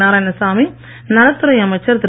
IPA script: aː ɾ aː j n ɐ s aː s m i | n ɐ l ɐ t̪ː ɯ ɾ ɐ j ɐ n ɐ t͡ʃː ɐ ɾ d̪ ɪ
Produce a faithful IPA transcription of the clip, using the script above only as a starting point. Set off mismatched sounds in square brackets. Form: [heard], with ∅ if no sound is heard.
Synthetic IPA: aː ɾ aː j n ɐ s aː [∅] m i | n ɐ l ɐ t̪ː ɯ ɾ ɐ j ɐ [m] ɐ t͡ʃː ɐ ɾ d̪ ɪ